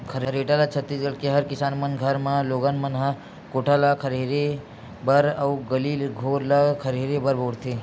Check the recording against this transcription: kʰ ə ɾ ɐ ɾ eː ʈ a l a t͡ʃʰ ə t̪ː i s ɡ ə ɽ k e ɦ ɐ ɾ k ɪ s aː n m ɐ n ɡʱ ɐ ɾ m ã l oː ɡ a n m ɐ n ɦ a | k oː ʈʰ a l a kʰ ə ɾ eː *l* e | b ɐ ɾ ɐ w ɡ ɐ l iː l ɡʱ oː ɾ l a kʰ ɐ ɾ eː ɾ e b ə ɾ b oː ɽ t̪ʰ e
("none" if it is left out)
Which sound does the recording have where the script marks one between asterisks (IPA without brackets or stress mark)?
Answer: ɾ